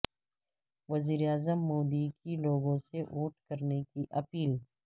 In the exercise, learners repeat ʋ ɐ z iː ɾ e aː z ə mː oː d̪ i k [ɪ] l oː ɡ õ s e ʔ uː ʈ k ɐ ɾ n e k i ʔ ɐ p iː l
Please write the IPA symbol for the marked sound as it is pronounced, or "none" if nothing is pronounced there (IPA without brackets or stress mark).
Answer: i